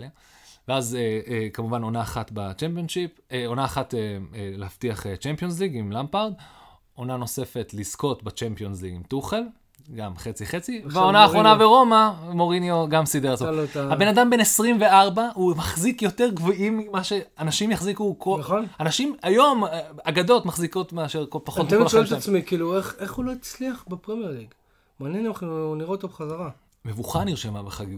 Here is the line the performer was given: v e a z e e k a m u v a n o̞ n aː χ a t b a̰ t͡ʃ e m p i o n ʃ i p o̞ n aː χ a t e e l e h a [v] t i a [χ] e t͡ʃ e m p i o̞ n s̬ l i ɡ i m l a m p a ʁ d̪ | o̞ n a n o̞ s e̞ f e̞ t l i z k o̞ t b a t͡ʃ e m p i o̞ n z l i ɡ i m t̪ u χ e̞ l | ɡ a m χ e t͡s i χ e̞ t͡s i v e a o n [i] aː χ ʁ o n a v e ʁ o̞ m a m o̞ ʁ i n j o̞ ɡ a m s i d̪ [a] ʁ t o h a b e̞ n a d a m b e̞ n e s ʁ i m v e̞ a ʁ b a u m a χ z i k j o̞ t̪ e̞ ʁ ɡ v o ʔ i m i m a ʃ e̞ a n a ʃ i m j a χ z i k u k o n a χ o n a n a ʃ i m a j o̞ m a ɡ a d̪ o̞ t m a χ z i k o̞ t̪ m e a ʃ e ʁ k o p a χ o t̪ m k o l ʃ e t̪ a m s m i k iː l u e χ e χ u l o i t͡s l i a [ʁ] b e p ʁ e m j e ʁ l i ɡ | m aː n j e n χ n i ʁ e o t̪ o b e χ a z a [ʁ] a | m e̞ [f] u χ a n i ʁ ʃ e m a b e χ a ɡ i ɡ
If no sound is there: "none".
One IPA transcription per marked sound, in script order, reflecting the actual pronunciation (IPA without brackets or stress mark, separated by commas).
f, χ, a, e, χ, ʁ, v